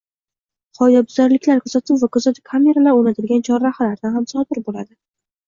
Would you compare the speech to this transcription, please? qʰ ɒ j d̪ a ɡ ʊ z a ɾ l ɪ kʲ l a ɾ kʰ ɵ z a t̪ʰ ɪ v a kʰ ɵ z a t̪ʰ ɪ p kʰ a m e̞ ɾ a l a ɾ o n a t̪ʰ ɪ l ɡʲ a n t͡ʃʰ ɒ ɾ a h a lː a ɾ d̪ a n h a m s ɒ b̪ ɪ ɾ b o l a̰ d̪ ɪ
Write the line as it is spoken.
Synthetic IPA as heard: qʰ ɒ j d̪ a b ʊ z a ɾ l ɪ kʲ l a ɾ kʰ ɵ z a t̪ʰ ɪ v a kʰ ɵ z a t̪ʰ ɪ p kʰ a m e̞ ɾ a l a ɾ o n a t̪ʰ ɪ l ɡʲ a n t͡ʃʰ ɒ ɾ a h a l a ɾ d̪ a n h a m s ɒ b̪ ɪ ɾ b o l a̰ d̪ ɪ